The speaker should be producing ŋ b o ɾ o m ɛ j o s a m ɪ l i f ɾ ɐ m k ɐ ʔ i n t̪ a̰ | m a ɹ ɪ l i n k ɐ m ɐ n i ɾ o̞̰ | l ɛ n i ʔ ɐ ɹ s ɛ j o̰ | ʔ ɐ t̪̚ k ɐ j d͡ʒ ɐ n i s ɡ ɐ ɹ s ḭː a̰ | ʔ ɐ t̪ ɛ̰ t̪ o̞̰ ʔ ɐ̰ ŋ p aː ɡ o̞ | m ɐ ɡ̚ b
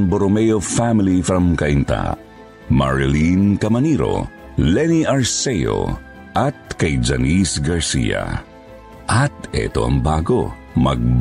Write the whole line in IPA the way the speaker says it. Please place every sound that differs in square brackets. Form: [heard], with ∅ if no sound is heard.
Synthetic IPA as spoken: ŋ b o ɾ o m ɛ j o [f] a m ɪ l i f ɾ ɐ m k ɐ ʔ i n t̪ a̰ | m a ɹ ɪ l i n k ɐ m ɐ n i ɾ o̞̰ | l ɛ n i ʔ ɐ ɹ s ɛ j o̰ | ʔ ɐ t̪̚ k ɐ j d͡ʒ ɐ n i s ɡ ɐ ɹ s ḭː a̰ | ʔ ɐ t̪ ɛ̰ t̪ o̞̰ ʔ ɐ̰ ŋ [b] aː ɡ o̞ | m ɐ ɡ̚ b